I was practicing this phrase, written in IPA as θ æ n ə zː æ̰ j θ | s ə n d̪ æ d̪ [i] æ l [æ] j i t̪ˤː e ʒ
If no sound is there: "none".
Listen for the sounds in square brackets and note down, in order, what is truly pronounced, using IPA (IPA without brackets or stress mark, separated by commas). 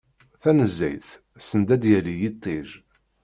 j, i